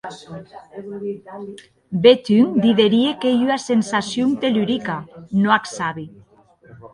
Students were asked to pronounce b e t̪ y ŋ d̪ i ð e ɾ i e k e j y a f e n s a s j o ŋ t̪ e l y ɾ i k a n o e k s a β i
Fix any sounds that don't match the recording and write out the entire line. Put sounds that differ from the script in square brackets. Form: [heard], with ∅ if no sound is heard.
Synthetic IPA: b e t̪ y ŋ d̪ i ð e ɾ i e k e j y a [s] e n s a s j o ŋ t̪ e l y ɾ i k a n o [a] k s a β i